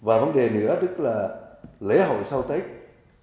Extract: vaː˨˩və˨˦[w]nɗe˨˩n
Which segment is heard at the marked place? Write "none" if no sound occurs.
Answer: none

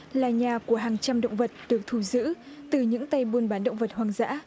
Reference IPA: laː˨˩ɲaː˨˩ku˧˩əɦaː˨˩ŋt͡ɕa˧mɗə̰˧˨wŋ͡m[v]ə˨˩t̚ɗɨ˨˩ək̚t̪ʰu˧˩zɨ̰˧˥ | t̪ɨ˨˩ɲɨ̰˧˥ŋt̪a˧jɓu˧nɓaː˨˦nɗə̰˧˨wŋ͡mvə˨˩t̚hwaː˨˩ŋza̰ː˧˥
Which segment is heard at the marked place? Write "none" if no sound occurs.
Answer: v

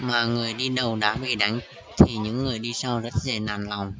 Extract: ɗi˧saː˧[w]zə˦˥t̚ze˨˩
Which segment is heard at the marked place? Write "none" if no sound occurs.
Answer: w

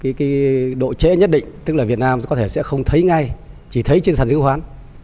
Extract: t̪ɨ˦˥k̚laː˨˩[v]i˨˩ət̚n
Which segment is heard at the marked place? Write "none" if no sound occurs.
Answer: v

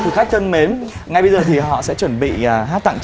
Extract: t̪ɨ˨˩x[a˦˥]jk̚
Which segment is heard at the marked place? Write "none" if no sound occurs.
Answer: a˦˥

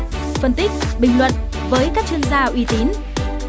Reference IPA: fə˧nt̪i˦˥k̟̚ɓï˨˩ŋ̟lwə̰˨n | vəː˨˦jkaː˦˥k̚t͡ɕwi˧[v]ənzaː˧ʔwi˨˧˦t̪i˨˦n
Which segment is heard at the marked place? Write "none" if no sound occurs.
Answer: none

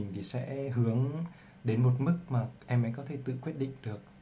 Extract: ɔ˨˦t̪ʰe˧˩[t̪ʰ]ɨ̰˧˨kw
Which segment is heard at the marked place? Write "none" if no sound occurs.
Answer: t̪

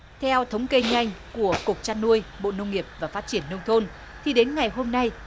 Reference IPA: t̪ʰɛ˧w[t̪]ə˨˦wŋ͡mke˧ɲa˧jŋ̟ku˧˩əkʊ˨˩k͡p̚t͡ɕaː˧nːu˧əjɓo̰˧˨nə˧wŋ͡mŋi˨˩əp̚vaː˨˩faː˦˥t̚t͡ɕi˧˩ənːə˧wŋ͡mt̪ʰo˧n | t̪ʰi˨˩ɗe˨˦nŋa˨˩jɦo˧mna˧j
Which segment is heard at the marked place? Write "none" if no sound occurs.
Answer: t̪ʰ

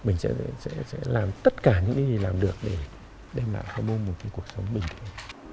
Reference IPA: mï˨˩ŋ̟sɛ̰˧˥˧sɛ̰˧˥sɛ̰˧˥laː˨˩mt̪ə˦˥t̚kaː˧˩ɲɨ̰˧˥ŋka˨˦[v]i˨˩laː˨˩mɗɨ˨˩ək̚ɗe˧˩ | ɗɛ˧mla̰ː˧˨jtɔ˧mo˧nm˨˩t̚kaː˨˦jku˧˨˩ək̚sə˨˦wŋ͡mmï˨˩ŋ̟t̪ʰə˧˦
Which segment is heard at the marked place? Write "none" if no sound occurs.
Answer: z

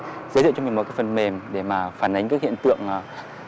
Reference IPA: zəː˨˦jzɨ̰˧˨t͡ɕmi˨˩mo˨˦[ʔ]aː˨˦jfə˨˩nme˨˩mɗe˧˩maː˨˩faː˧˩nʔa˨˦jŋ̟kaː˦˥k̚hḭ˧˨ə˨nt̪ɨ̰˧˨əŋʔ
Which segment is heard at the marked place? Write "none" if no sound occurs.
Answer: k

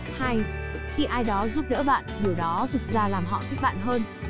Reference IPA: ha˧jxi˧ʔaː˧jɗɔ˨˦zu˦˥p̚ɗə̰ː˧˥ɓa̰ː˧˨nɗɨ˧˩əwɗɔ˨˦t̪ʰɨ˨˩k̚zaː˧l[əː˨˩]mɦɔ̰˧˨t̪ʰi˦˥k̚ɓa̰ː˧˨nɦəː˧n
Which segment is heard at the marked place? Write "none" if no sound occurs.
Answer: aː˨˩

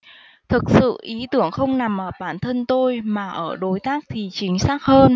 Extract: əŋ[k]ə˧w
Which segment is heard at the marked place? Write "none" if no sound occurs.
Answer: x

